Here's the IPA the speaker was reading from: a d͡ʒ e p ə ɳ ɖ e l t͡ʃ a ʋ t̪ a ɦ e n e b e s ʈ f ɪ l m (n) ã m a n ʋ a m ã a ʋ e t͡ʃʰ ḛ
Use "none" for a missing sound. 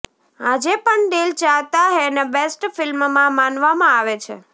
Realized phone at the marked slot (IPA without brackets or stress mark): m